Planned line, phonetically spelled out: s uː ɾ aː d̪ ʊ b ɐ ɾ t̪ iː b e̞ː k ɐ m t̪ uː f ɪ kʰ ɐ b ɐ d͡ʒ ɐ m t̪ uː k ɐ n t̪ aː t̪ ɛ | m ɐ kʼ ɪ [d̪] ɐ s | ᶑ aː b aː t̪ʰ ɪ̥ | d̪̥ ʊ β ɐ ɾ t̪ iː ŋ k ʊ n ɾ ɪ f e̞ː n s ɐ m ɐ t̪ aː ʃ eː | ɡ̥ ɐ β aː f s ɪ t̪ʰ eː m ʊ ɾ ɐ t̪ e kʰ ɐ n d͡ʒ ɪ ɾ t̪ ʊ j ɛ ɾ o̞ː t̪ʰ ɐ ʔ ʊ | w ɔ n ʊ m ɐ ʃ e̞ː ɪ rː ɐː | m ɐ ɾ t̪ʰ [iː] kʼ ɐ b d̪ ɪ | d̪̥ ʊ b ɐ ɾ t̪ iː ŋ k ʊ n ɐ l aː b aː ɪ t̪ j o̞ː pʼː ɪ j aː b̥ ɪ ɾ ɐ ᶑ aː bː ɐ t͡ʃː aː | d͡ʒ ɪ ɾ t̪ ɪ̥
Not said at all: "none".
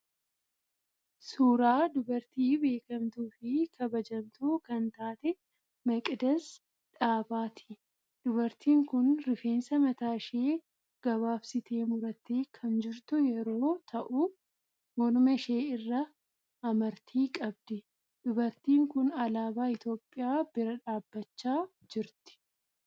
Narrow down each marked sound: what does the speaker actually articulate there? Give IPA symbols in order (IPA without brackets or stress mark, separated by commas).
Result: d̪, iː